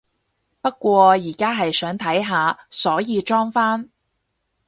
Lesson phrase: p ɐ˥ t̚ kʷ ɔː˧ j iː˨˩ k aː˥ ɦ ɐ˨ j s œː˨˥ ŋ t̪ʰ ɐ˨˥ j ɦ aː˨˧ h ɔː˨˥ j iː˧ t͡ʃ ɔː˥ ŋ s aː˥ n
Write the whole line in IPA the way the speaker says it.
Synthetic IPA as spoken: p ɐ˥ t̚ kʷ ɔː˧ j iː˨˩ k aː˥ ɦ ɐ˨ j s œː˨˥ ŋ t̪ʰ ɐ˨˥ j ɦ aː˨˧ s ɔː˨˥ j iː˧ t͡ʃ ɔː˥ ŋ f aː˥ n

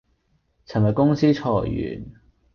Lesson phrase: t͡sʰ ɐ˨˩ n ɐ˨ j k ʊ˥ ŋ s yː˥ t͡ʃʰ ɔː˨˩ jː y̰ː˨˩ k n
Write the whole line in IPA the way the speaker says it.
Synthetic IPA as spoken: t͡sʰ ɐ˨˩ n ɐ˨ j k ʊ˥ ŋ s iː˥ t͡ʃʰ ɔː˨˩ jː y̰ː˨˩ n

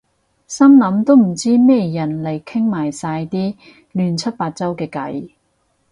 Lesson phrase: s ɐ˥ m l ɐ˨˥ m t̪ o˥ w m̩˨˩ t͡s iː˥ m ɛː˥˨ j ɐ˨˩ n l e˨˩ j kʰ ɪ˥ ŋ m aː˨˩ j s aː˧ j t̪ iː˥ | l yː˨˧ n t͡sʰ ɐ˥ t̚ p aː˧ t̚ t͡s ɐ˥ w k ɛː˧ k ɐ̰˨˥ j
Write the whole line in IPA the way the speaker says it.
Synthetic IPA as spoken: s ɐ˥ m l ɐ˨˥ m t̪ o˥ w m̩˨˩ t͡s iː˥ m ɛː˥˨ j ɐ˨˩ n l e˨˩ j kʰ ɪ˥ ŋ m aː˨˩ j s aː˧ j t̪ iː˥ | l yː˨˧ n t͡sʰ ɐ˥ t̚ p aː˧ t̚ t͡s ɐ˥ w k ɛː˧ k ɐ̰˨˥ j

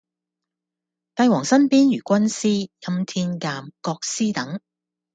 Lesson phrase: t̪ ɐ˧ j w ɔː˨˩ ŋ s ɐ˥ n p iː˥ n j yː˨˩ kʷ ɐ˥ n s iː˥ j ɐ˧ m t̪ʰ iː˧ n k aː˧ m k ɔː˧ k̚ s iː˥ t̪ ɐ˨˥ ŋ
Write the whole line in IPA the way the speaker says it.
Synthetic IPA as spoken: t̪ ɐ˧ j w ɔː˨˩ ŋ s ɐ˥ n p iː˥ n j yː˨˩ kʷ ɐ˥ n s iː˥ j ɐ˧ m t̪ʰ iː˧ n k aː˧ m k ɔː˧ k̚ s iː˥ t̪ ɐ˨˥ ŋ

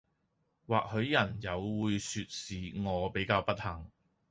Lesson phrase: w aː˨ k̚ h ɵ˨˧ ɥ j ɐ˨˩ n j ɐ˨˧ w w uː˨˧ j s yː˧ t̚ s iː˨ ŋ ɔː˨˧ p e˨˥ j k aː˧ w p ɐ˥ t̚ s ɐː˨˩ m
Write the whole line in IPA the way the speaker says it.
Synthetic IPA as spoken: w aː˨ k̚ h ɵ˨˧ ɥ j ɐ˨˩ n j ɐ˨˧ w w uː˨˧ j s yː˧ t̚ s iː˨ ŋ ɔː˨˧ p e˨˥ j k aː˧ w p ɐ˥ t̚ h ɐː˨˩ ŋ

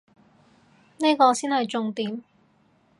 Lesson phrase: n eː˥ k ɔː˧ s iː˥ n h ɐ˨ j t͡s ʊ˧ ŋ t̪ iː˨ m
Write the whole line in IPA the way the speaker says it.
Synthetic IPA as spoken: n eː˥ k ɔː˧ s iː˥ n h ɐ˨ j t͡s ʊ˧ ŋ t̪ iː˨ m

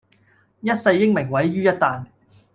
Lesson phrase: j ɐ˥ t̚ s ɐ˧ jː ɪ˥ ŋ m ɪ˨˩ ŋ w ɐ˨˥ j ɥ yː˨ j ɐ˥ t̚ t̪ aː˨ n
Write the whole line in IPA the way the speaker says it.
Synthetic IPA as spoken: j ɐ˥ t̚ s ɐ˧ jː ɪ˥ ŋ m ɪ˨˩ ŋ w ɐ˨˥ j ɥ yː˥ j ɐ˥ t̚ t̪ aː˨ n

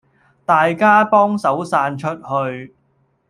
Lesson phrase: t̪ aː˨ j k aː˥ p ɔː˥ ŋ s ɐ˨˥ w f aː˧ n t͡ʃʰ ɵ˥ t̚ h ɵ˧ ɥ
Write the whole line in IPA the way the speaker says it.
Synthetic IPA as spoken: t̪ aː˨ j k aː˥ p ɔː˥ ŋ s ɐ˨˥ w s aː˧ n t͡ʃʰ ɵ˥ t̚ h ɵ˧ ɥ

